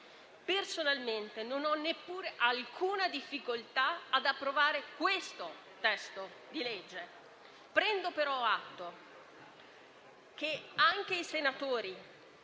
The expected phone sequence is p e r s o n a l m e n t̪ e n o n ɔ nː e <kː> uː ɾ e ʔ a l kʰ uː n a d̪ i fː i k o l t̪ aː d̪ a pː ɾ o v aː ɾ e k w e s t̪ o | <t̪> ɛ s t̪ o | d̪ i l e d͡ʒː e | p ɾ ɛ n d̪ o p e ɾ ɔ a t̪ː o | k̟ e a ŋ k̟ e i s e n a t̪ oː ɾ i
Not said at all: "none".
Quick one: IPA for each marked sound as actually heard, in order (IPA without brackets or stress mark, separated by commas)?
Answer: pː, t̪